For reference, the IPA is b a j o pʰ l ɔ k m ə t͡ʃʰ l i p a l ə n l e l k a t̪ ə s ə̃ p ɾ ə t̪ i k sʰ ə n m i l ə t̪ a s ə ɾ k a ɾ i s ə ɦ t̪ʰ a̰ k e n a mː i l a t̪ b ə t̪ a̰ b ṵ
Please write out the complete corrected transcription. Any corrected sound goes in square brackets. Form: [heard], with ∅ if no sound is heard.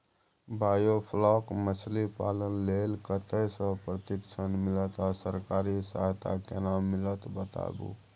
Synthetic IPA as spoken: b a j o pʰ l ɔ k m ə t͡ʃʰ l i p a l ə n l e l k [ə] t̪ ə s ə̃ p ɾ ə t̪ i k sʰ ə n m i l ə t̪ a s ə ɾ k a ɾ i s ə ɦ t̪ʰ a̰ k e n a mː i l [ə] t̪ b ə t̪ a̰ b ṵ